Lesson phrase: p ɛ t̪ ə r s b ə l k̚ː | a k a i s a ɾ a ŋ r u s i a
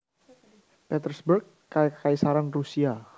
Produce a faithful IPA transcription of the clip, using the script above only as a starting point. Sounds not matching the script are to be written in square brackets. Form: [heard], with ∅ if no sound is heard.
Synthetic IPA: p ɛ t̪ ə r s b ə [r] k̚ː | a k a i s a ɾ a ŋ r u s i a